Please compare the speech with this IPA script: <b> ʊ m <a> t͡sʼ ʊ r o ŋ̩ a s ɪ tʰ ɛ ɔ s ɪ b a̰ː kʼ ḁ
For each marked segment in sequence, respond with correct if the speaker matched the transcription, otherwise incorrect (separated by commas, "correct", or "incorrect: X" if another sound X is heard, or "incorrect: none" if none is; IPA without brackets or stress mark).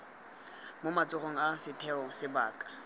incorrect: m, correct